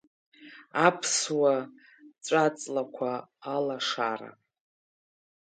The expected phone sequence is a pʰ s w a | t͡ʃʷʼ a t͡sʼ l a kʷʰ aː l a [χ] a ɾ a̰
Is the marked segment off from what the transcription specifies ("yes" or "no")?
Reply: yes